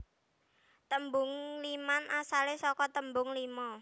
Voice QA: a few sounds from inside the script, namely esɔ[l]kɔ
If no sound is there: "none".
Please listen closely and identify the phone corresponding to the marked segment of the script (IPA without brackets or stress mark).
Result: none